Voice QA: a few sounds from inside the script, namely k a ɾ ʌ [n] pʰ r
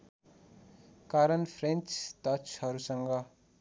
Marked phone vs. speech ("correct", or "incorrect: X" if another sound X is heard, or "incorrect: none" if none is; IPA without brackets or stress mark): correct